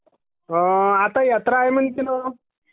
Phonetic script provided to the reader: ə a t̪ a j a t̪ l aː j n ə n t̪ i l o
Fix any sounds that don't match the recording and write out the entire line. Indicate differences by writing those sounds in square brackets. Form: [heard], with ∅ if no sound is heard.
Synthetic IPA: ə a t̪ a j a t̪ [ɾ] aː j [m] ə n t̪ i l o